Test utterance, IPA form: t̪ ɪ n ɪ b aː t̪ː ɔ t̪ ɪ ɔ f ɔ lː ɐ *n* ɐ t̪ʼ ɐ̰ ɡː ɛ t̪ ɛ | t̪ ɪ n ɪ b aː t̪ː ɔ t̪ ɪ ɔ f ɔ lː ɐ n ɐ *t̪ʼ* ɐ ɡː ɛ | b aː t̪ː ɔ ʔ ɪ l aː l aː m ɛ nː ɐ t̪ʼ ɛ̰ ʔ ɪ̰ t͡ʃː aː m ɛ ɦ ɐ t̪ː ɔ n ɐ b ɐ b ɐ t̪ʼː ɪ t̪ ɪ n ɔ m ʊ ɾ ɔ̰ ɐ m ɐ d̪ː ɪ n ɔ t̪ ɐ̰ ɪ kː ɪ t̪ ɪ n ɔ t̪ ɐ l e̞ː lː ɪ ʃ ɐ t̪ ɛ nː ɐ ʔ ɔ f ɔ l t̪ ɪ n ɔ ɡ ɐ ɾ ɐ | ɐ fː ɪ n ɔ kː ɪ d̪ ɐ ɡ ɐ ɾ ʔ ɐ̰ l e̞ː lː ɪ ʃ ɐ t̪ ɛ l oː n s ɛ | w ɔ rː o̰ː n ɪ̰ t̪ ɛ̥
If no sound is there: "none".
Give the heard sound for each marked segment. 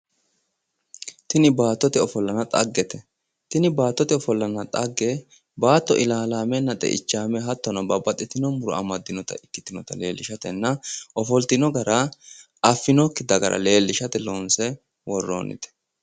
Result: n, t̪ʼ

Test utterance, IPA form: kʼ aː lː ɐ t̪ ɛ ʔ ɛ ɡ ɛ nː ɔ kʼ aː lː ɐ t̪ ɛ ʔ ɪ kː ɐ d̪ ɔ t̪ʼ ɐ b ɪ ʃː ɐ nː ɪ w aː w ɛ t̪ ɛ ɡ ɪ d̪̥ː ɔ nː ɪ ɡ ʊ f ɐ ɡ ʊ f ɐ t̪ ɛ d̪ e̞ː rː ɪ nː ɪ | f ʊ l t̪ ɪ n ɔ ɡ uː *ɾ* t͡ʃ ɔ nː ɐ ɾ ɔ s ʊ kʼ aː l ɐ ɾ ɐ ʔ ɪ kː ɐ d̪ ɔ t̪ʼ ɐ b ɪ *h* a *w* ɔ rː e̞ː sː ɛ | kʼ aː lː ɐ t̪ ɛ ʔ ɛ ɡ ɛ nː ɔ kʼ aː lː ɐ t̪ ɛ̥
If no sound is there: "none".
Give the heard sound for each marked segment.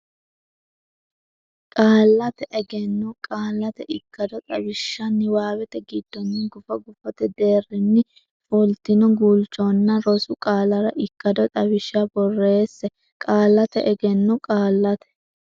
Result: l, ʃ, b

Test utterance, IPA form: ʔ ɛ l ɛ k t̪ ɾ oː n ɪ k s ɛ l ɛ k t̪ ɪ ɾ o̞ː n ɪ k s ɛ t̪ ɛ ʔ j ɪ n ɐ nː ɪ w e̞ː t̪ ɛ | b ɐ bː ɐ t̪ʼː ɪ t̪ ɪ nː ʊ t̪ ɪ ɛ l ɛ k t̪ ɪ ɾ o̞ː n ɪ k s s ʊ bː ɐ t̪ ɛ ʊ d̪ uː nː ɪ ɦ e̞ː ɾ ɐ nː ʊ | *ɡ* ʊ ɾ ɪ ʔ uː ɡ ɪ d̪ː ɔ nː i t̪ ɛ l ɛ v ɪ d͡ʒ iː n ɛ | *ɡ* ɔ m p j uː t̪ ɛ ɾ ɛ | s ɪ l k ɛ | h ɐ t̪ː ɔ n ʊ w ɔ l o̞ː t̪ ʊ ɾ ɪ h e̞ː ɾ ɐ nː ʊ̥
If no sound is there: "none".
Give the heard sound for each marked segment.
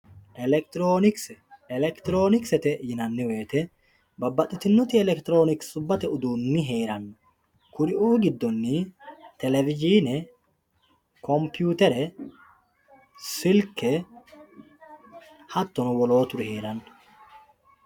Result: k, k

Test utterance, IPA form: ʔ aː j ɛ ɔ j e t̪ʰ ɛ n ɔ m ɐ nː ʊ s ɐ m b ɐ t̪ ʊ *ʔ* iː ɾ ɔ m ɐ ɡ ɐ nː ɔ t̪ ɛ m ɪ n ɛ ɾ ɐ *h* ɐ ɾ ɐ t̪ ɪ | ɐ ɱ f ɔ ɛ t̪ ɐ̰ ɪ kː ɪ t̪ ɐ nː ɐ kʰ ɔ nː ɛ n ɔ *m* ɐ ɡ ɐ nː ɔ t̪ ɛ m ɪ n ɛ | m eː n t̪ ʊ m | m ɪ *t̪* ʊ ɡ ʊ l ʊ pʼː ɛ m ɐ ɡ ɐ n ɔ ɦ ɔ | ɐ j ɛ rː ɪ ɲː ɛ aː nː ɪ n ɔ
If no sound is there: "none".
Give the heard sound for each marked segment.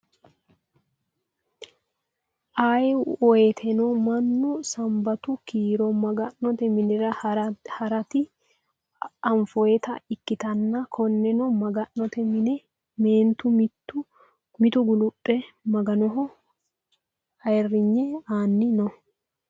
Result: k, h, m, t̪

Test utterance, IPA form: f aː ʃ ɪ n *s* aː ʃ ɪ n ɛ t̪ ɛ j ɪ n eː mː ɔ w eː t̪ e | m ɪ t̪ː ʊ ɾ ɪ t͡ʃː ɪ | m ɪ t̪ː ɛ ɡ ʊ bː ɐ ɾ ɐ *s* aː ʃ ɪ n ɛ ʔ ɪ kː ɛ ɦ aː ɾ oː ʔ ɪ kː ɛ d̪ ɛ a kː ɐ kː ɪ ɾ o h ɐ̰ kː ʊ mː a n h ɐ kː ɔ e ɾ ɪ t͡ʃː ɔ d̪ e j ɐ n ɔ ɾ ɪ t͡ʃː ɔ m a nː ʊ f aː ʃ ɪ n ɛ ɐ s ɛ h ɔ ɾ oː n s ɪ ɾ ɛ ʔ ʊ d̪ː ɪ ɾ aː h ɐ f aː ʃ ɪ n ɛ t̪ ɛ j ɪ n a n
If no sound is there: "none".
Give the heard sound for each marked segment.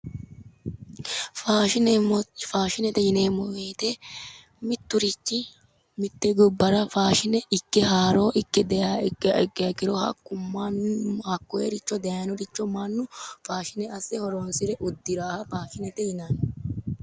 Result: f, f

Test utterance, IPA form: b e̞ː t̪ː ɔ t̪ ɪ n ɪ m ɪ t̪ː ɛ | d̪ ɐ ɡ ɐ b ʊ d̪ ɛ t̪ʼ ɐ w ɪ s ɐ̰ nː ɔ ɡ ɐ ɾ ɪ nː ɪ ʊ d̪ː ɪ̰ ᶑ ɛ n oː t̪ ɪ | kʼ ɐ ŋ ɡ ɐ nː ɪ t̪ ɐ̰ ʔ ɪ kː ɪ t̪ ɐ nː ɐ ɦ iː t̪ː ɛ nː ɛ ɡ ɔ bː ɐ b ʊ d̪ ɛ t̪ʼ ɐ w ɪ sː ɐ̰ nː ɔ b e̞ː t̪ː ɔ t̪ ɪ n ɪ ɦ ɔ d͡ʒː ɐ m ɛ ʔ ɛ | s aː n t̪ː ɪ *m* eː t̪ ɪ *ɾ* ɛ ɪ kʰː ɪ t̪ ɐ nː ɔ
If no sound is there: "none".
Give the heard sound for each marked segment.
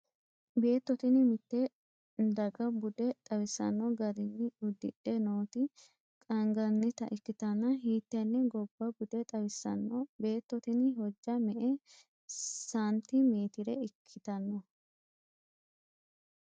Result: m, ɾ

